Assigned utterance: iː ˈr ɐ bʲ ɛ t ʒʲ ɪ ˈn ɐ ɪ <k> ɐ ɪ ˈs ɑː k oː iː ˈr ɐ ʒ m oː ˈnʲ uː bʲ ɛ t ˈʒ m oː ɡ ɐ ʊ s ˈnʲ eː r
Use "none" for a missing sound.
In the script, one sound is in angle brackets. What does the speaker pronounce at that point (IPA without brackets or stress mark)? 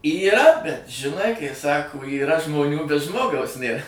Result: k